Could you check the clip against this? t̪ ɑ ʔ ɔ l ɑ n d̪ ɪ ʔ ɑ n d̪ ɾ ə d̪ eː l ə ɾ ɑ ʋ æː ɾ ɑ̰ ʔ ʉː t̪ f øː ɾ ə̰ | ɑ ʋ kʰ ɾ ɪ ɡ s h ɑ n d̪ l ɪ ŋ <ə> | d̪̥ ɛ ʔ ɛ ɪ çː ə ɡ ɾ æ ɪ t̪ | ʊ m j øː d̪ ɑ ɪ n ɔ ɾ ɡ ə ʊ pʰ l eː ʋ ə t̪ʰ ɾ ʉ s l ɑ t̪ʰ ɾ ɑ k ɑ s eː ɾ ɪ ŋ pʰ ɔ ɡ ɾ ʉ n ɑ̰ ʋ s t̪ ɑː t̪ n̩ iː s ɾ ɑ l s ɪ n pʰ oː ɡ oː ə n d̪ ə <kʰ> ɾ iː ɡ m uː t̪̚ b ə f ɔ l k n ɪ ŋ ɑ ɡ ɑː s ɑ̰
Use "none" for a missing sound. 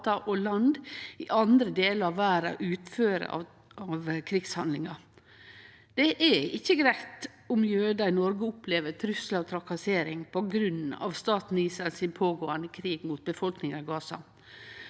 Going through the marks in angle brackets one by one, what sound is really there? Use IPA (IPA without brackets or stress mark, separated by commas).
ɑ, kʰ